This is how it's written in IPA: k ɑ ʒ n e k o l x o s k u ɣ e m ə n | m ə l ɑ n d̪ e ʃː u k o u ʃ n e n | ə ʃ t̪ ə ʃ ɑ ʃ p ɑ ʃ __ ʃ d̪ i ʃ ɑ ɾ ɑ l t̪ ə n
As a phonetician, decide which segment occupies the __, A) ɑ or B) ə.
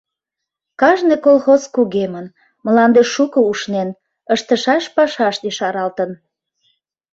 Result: A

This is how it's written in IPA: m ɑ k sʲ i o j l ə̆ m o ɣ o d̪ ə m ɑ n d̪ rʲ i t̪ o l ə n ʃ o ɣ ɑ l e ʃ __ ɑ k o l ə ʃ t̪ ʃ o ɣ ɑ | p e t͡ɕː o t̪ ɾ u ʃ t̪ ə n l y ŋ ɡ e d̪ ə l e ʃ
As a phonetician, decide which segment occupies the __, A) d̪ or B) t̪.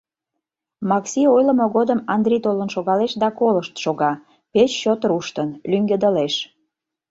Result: A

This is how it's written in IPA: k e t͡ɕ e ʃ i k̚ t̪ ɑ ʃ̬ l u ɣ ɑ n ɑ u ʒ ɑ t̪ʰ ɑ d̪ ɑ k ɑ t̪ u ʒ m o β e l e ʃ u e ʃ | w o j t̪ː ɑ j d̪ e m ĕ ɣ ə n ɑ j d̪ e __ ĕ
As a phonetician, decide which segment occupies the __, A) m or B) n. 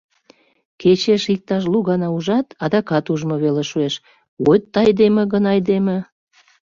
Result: A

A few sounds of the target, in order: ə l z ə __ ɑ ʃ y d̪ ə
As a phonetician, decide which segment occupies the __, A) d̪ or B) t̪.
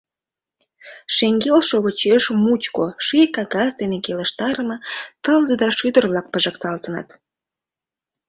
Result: A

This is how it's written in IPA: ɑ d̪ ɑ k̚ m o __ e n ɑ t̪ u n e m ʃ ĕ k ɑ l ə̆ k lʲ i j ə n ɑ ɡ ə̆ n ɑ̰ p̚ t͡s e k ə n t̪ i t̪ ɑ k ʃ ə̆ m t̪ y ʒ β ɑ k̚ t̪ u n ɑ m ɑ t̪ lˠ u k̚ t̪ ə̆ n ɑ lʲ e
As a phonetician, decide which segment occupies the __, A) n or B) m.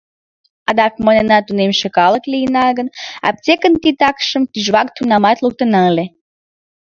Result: A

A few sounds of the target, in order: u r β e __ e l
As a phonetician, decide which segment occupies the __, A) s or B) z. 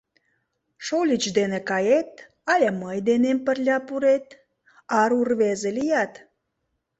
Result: B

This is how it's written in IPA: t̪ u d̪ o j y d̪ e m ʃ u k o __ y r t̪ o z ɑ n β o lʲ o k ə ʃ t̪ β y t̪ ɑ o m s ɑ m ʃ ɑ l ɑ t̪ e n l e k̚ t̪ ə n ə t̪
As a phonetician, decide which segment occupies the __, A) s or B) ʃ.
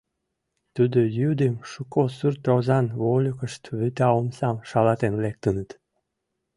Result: A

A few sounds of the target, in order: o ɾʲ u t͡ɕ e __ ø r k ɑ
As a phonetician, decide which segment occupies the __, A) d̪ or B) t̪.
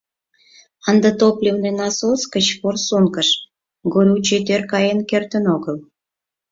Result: B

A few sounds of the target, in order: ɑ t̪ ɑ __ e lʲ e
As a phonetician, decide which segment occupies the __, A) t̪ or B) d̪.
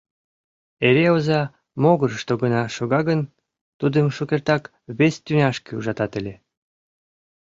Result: A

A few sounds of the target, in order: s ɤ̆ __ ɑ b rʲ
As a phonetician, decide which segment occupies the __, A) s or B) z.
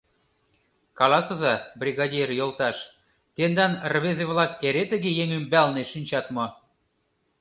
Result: B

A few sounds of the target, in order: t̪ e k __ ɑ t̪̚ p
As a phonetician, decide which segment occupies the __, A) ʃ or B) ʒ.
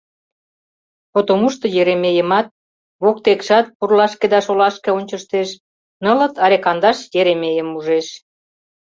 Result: A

